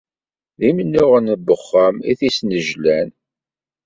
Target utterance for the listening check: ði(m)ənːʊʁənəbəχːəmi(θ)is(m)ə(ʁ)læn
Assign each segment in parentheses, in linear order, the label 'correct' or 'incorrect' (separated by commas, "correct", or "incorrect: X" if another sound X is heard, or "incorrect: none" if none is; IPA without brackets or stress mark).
correct, correct, incorrect: n, incorrect: ʒ